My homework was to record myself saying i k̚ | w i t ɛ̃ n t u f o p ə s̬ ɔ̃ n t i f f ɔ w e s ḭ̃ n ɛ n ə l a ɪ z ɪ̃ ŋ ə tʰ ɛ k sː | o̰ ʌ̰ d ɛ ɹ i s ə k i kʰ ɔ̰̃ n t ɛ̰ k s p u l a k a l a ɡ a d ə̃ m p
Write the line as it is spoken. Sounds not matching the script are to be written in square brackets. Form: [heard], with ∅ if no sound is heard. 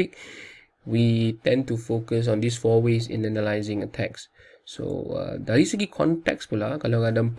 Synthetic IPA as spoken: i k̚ | w i t ɛ̃ n t u f o [k] ə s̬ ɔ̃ n [d] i [s] f ɔ w e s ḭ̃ n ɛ n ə l a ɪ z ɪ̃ ŋ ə tʰ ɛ k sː | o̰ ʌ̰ d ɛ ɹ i s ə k i kʰ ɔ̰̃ n t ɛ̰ k s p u l a k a l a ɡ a d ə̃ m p